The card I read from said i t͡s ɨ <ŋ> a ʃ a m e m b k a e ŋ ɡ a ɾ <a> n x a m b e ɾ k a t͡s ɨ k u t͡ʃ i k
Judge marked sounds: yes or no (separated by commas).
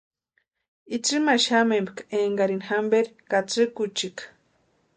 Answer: no, no